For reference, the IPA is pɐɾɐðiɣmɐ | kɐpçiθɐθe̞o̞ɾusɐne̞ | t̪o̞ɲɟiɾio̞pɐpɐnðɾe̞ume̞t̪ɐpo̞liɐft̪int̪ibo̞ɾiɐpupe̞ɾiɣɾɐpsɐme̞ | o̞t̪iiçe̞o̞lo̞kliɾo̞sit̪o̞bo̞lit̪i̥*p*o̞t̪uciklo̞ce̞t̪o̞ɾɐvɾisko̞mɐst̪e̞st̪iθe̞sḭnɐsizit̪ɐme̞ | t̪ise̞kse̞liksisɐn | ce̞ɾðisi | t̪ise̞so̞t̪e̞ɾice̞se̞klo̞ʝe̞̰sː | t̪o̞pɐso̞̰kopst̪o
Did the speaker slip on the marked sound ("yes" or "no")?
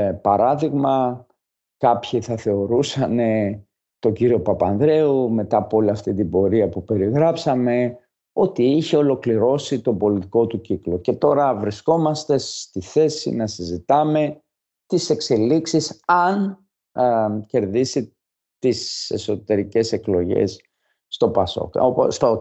yes